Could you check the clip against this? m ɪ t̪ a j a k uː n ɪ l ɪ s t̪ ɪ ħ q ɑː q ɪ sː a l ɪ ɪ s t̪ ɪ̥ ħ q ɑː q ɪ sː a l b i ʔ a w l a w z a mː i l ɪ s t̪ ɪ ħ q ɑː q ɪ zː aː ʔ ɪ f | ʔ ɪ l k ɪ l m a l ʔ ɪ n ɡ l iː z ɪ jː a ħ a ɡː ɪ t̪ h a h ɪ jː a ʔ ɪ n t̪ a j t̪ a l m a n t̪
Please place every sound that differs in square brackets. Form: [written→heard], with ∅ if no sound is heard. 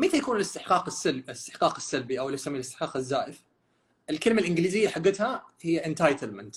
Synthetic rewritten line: m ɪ t̪ a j a k uː n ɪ l ɪ s t̪ ɪ ħ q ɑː q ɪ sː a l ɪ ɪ s t̪ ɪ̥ ħ q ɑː q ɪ sː a l b i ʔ a w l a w [z→s] a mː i l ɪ s t̪ ɪ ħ q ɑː q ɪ zː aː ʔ ɪ f | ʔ ɪ l k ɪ l m a l ʔ ɪ n ɡ l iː z ɪ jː a ħ a ɡː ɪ t̪ h a h ɪ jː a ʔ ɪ n t̪ a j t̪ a l m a n t̪